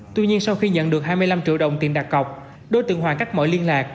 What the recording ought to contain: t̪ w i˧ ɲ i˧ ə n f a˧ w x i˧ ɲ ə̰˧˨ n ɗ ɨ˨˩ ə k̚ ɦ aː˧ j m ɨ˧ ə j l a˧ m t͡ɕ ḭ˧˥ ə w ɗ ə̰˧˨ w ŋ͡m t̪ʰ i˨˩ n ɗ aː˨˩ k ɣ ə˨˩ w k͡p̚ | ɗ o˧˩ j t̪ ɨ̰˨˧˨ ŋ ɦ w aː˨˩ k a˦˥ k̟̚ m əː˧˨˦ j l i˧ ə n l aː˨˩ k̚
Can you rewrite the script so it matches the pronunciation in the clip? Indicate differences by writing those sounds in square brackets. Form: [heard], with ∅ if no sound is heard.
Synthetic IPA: t̪ w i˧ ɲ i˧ ə n [s] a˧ w x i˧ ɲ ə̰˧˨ n ɗ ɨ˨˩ ə k̚ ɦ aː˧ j m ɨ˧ ə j l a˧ m t͡ɕ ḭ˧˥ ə w ɗ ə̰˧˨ w ŋ͡m [t̪] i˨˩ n ɗ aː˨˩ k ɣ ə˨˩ w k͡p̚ | ɗ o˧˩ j t̪ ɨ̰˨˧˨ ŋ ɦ w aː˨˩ k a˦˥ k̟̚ m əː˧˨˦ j l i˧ ə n l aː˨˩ k̚